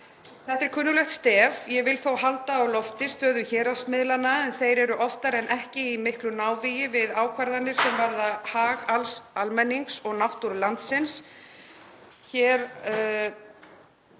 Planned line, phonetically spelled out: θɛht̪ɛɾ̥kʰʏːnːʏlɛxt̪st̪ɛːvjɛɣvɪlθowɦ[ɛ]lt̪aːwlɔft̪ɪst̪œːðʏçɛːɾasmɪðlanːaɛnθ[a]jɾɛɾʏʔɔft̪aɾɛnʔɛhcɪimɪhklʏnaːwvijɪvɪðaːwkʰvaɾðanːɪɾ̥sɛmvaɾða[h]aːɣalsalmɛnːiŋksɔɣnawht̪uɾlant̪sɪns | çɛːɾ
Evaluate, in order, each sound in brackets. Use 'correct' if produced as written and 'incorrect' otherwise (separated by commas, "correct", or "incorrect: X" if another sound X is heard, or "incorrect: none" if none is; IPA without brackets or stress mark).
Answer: incorrect: a, incorrect: e, correct